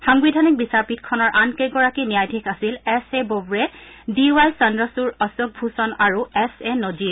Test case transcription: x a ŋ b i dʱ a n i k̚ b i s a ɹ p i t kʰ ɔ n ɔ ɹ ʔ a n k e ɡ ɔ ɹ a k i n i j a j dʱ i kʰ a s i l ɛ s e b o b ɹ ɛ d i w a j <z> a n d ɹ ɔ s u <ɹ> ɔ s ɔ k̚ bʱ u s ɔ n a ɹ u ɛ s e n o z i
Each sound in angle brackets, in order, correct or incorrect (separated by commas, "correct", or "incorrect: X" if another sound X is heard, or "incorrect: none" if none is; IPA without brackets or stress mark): incorrect: s, correct